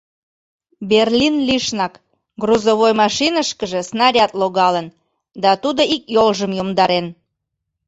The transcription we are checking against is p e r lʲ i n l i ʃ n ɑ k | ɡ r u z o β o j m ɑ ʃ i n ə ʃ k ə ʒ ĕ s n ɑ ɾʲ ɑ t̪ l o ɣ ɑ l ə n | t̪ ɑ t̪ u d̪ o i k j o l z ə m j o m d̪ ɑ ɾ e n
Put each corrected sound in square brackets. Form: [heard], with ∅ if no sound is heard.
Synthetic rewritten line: [b] e r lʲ i n l i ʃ n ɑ k | ɡ r u z o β o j m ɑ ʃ i n ə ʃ k ə ʒ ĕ s n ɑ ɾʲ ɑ t̪ l o ɣ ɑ l ə n | [d̪] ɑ t̪ u d̪ o i k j o l [ʒ] ə m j o m d̪ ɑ ɾ e n